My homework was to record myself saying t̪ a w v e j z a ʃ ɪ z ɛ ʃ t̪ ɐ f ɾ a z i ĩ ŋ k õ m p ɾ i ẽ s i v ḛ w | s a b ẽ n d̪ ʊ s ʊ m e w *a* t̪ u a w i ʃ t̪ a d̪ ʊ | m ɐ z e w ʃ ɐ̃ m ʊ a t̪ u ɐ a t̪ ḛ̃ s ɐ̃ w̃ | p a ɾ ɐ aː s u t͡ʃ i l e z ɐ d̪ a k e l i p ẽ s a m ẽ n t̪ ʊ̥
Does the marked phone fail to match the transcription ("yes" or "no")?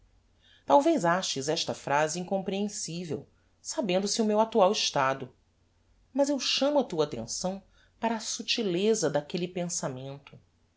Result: no